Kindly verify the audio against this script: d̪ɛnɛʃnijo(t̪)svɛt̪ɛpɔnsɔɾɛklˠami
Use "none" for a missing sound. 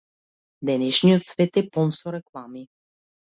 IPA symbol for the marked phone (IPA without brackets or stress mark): t̪